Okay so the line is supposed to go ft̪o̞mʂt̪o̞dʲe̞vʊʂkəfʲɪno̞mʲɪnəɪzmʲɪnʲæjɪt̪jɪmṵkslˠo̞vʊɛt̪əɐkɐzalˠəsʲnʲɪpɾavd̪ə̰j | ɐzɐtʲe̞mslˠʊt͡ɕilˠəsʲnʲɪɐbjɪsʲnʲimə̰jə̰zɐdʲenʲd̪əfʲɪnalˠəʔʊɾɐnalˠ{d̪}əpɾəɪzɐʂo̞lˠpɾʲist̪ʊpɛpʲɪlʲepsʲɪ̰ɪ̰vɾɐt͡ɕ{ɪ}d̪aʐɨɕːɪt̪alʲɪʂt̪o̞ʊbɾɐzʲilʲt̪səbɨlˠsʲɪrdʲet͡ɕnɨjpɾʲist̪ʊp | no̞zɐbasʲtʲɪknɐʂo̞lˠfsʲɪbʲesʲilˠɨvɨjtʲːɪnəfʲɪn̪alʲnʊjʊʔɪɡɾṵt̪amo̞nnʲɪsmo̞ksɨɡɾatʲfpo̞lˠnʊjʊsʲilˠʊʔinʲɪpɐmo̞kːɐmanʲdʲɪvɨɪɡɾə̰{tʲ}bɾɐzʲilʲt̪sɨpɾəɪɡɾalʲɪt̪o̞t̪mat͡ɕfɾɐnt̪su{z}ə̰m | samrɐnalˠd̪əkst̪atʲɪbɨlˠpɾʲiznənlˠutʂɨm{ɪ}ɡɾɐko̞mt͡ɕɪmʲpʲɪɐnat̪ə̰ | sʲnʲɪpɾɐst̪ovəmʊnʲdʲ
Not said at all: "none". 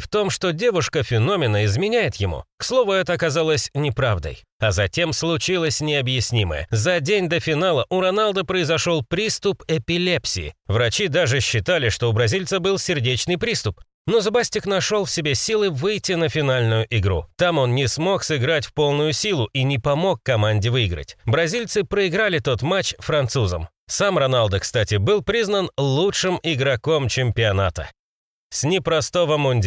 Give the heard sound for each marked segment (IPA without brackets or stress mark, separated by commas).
d̪, i, tʲ, z, ɪ